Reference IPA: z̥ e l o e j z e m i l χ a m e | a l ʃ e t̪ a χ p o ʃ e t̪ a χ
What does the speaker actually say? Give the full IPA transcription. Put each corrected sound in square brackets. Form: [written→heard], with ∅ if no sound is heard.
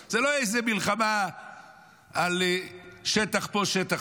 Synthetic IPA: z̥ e l o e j z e m i l χ a m [e→a] | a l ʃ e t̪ a χ p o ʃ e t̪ a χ